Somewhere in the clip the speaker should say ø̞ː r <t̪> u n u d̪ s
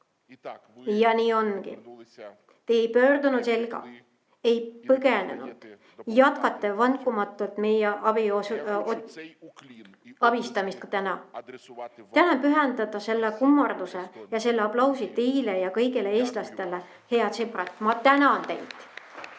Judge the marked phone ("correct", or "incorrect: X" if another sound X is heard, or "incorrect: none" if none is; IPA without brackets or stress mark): incorrect: d̪